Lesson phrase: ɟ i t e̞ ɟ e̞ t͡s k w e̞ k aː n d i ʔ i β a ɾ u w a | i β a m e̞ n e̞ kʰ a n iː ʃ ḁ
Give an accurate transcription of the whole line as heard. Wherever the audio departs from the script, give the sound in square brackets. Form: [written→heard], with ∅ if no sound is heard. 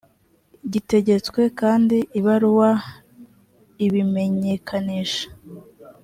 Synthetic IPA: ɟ i t e̞ ɟ e̞ t͡s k w e̞ k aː n d i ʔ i β a ɾ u w a | i β [a→i] m e̞ [n→ɲ] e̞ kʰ a n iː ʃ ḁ